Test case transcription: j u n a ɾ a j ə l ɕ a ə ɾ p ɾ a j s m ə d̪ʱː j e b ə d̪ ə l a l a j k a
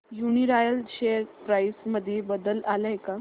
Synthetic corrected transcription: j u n i ɾ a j ə l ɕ e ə ɾ p ɾ a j s m ə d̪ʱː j e b ə d̪ ə l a l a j k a